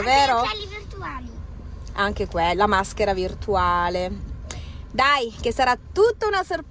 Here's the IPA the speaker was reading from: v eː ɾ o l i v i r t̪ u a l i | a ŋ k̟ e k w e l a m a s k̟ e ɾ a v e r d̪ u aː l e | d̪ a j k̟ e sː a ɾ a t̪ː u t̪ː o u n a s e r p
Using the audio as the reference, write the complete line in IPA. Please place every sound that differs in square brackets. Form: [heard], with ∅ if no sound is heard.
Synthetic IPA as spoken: v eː ɾ o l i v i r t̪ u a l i | a ŋ k̟ e k w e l a m a s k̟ e ɾ a v [i] r [t̪] u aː l e | d̪ a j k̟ e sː a ɾ a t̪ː u t̪ː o u n a s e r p